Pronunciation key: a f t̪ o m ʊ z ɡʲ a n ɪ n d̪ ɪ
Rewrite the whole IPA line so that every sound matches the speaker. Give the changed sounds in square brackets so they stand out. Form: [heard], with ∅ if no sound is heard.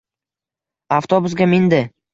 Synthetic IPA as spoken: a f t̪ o [b] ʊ [s] ɡʲ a [m] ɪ n d̪ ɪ